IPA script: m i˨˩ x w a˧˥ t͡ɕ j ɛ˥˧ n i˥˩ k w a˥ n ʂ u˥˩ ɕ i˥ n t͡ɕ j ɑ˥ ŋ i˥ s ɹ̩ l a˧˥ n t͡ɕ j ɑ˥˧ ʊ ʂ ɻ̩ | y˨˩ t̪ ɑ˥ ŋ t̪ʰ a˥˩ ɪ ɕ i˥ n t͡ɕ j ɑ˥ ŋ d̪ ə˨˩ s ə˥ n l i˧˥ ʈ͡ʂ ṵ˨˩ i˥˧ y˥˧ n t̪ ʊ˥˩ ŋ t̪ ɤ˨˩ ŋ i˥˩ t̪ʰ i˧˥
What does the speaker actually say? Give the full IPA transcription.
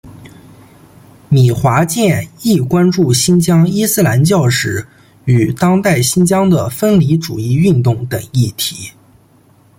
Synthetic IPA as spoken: m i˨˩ x w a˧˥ t͡ɕ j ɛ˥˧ n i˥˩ k w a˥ n ʈ͡ʂ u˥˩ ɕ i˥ n t͡ɕ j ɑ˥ ŋ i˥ s ɹ̩ l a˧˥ n t͡ɕ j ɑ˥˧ ʊ ʂ ɻ̩ | y˨˩ t̪ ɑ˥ ŋ t̪ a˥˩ ɪ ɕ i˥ n t͡ɕ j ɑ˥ ŋ d̪ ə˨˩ f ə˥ n l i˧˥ ʈ͡ʂ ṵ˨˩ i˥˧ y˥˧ n t̪ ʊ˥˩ ŋ t̪ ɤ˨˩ ŋ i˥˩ t̪ʰ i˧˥

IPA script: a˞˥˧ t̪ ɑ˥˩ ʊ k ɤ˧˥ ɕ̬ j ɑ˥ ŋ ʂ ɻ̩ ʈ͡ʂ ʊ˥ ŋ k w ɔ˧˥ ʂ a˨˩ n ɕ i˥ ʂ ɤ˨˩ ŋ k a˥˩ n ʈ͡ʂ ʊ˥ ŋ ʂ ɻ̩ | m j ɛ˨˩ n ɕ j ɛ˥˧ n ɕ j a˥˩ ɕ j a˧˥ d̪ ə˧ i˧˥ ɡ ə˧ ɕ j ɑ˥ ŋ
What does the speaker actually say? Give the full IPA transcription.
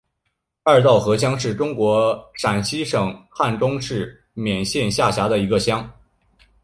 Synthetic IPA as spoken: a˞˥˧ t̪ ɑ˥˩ ʊ x ɤ˧˥ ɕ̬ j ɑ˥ ŋ ʂ ɻ̩ ʈ͡ʂ ʊ˥ ŋ k w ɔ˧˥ ʂ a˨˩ n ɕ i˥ ʂ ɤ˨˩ ŋ x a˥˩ n ʈ͡ʂ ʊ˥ ŋ ʂ ɻ̩ | m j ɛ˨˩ n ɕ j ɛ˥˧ n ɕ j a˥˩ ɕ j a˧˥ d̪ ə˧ i˧˥ ɡ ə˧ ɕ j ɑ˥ ŋ

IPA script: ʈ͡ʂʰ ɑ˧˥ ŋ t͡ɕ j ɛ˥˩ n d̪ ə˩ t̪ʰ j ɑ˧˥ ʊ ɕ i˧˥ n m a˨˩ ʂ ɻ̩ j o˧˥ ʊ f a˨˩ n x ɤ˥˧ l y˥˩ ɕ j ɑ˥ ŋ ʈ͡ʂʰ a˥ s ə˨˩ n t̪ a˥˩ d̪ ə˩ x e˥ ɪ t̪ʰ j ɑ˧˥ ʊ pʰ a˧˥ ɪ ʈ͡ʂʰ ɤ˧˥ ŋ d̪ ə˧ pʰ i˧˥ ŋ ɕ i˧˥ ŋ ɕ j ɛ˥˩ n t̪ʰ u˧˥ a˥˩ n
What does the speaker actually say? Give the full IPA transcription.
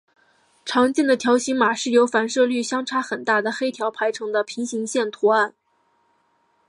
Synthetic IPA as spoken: ʈ͡ʂʰ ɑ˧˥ ŋ t͡ɕ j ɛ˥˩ n d̪ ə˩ t̪ʰ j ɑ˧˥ ʊ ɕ i˧˥ ŋ m a˨˩ ʂ ɻ̩ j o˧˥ ʊ f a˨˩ n ʂ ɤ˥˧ l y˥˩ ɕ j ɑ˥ ŋ ʈ͡ʂʰ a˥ x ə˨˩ n t̪ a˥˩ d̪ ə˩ x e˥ ɪ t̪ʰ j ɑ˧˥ ʊ pʰ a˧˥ ɪ ʈ͡ʂʰ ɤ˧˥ ŋ d̪ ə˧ pʰ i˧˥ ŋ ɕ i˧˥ ŋ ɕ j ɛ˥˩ n t̪ʰ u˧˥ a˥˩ n

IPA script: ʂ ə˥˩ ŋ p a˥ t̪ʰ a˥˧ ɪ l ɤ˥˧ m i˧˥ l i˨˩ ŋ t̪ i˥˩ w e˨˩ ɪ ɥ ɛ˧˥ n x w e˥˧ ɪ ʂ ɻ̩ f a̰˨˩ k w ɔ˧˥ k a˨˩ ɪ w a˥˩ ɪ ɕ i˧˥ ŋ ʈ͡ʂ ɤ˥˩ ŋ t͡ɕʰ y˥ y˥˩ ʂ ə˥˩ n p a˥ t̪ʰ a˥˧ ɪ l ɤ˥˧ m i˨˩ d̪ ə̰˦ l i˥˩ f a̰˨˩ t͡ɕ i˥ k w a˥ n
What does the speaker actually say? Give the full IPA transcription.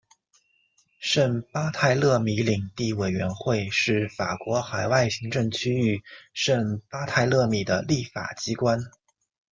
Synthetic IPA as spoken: ʂ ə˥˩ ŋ p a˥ t̪ʰ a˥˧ ɪ l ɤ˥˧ m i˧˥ l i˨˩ ŋ t̪ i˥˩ w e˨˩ ɪ ɥ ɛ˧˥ n x w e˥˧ ɪ ʂ ɻ̩ f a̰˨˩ k w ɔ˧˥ x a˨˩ ɪ w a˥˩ ɪ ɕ i˧˥ ŋ ʈ͡ʂ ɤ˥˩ ŋ t͡ɕʰ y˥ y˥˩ ʂ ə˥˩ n p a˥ t̪ʰ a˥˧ ɪ l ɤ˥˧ m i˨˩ d̪ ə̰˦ l i˥˩ f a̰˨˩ t͡ɕ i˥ k w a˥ n

